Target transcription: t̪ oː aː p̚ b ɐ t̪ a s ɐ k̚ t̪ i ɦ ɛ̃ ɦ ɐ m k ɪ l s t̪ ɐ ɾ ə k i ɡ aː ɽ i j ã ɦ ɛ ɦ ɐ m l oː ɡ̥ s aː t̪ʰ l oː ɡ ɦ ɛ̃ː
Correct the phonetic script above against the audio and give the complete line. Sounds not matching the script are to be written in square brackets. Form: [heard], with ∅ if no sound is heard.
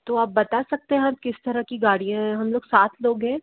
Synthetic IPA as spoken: t̪ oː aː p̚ b ɐ t̪ a s ɐ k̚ t̪ [e] ɦ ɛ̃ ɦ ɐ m k ɪ [∅] s t̪ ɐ ɾ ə k i ɡ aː ɽ i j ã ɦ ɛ ɦ ɐ m l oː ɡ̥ s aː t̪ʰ l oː ɡ ɦ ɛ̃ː

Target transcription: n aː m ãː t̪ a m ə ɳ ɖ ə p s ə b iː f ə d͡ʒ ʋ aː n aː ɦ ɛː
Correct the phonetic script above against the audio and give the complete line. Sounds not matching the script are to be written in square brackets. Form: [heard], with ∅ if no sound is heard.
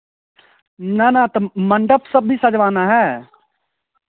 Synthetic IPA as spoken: n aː [n] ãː t̪ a m ə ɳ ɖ ə p s ə b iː [s] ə d͡ʒ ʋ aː n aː ɦ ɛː

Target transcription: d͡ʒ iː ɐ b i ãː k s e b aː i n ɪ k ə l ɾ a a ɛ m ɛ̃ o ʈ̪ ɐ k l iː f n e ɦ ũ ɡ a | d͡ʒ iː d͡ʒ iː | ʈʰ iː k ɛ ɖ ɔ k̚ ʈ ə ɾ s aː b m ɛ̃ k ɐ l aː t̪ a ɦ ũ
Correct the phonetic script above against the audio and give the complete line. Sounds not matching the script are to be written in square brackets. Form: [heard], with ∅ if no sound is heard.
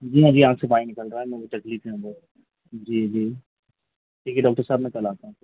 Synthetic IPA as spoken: d͡ʒ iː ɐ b i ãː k s e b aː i n ɪ k ə l ɾ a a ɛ m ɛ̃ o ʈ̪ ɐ k l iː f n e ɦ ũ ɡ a | d͡ʒ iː d͡ʒ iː | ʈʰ iː k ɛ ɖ [ɔː] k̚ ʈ ə ɾ s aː b m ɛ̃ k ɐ l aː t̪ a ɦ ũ

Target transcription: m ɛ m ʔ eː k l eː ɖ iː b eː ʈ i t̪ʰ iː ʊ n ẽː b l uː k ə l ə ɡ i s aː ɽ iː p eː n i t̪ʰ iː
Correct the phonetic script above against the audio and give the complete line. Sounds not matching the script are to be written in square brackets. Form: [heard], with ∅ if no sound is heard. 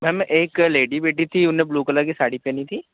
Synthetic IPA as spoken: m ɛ m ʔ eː k l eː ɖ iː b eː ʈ i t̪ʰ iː ʊ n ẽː b l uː k ə l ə ɡ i s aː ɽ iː p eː n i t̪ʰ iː

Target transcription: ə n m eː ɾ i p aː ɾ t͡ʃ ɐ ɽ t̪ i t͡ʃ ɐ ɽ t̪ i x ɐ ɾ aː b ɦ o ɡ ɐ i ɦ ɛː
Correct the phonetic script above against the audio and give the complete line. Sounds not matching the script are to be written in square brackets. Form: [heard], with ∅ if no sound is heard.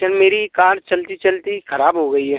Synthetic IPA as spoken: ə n m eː ɾ i [k] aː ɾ t͡ʃ ɐ [l] t̪ i t͡ʃ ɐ [l] t̪ i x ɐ ɾ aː b ɦ o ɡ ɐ i ɦ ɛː

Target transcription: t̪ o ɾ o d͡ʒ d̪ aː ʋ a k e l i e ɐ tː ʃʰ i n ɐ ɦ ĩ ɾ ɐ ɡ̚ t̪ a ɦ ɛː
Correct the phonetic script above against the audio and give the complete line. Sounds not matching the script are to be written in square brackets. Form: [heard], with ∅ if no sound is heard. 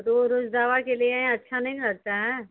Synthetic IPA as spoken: t̪ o ɾ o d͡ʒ d̪ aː ʋ a k e l i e ɐ tː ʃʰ [a] n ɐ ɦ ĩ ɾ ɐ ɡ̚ t̪ a ɦ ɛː

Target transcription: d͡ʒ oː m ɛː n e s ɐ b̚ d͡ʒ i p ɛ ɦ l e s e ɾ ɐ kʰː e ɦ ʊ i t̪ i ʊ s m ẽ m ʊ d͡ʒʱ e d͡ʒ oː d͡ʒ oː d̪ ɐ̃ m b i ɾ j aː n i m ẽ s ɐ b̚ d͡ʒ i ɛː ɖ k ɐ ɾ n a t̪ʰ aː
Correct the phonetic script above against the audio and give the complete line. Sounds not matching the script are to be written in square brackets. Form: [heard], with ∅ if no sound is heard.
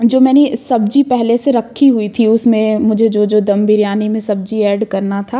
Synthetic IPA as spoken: d͡ʒ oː m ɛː n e s ɐ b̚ d͡ʒ i p ɛ ɦ l e s e ɾ ɐ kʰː [i] ɦ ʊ i [t̪ʰ] i ʊ s m ẽ m ʊ d͡ʒʱ e d͡ʒ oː d͡ʒ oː d̪ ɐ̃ m b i ɾ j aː n i m ẽ s ɐ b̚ d͡ʒ i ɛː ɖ k ɐ ɾ n a t̪ʰ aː

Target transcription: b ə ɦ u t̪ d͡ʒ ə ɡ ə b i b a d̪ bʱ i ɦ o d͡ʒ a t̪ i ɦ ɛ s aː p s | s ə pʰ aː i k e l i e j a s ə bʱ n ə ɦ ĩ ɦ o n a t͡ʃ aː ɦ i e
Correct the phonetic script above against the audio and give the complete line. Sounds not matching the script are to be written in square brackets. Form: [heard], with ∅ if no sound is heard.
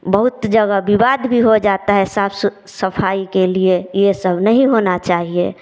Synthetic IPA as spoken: b ə ɦ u t̪ d͡ʒ ə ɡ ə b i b a d̪ bʱ i ɦ o d͡ʒ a t̪ [a] ɦ ɛ s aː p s | s ə pʰ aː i k e l i e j [e] s ə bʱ n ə ɦ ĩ ɦ o n a t͡ʃ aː ɦ i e

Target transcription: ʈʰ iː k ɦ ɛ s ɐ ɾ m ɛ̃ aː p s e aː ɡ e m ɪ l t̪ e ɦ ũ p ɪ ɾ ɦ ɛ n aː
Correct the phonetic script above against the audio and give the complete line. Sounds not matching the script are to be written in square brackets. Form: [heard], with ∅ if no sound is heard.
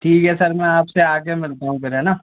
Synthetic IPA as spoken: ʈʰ iː k ɦ ɛ s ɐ ɾ m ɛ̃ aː p s e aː ɡ e m ɪ l t̪ [a] ɦ ũ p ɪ ɾ ɦ ɛ n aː

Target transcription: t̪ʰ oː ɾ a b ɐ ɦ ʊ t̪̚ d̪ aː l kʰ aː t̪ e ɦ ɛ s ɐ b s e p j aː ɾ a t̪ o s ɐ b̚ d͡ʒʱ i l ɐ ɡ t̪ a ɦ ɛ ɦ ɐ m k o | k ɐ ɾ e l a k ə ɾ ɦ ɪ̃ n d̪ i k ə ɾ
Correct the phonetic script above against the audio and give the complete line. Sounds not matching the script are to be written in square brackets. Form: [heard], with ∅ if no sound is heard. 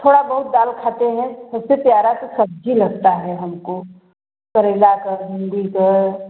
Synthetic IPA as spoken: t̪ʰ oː [ɽ] a b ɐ ɦ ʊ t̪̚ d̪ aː l kʰ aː t̪ e ɦ [ɛ̃] s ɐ b s e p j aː ɾ a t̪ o s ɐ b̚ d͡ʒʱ i l ɐ ɡ t̪ a ɦ ɛ ɦ ɐ m k o | k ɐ ɾ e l a k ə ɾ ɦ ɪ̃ n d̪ i k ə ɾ

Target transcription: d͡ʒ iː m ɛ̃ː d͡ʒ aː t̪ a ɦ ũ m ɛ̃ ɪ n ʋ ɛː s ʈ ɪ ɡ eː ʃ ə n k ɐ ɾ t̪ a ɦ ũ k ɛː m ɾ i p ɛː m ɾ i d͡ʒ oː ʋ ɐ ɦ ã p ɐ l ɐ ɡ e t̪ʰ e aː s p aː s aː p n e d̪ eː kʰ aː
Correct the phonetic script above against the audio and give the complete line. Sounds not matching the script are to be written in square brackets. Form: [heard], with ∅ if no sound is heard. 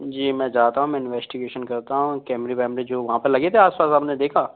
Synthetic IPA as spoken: d͡ʒ iː m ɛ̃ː d͡ʒ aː t̪ a ɦ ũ m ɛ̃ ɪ n ʋ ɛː s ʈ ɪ ɡ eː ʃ ə n k ɐ ɾ t̪ a ɦ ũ k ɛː m ɾ i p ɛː m ɾ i d͡ʒ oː ʋ ɐ ɦ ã p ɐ l ɐ ɡ e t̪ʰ e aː s p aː s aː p n e d̪ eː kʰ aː

